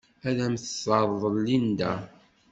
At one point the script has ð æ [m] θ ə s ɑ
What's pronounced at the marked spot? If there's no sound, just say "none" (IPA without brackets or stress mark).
m